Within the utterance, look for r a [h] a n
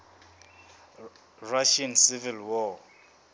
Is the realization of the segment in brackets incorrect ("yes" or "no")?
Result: yes